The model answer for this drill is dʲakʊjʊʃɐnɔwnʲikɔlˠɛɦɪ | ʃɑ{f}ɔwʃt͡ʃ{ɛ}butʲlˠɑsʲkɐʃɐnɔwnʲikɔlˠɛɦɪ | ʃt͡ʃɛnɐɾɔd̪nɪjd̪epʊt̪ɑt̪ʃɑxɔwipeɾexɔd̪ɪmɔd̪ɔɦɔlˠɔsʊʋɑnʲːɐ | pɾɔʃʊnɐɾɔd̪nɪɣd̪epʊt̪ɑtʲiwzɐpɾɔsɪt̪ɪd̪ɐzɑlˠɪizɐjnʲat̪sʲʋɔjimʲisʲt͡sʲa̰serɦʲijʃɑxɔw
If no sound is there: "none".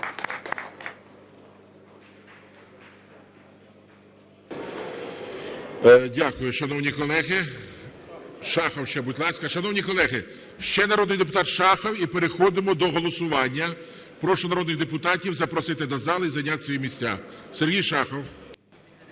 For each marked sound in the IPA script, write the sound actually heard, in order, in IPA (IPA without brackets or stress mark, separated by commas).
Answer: x, ɛ